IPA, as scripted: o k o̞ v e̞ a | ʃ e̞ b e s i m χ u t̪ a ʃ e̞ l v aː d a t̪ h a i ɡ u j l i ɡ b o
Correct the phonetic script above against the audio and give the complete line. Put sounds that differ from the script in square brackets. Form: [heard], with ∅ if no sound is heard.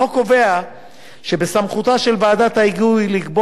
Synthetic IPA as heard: o k o̞ v e̞ a | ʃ e̞ b e s [a] m χ u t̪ a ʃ e̞ l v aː d a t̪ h a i ɡ u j l i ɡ b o